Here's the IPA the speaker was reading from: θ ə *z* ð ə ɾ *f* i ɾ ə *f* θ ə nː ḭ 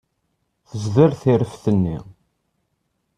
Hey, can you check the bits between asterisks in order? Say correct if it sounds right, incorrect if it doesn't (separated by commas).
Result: correct, incorrect, correct